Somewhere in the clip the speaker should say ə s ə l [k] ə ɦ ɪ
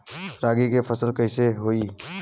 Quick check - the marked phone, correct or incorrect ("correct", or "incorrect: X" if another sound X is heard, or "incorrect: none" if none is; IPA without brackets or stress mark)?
correct